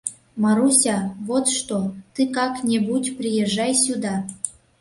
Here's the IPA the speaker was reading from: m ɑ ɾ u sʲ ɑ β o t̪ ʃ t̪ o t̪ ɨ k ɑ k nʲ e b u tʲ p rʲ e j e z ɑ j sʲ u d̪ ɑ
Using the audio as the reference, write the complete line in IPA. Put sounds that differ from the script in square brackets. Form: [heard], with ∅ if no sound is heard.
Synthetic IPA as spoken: m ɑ ɾ u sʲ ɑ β o t̪ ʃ t̪ o t̪ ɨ k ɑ k nʲ e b u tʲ p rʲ [i] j e [ʒ] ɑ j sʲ u d̪ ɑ